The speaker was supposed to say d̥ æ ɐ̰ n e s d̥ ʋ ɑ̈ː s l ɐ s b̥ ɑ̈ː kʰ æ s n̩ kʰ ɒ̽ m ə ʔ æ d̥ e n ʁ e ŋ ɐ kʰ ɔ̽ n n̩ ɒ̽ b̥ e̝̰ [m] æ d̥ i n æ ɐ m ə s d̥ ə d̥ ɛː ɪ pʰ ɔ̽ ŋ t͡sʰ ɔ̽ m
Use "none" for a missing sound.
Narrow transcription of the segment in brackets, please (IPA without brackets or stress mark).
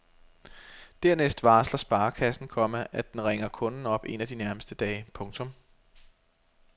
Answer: n